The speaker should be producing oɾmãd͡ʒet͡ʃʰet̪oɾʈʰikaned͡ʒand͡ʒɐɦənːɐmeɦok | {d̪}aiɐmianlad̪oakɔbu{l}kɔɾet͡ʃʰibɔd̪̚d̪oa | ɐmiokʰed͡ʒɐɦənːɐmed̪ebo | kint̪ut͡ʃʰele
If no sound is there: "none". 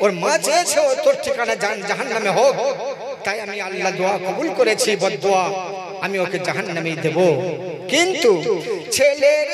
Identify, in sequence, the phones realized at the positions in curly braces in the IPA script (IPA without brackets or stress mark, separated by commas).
t̪, l